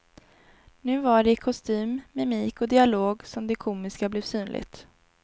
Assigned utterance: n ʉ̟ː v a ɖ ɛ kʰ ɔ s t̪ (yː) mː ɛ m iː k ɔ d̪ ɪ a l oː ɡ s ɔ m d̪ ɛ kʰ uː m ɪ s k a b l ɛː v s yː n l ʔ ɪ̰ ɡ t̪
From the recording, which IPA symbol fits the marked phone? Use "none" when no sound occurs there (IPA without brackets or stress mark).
yː